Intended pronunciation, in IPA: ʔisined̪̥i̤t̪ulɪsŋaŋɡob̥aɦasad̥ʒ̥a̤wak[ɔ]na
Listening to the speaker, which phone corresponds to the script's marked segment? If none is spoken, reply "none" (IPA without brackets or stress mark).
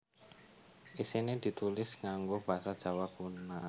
u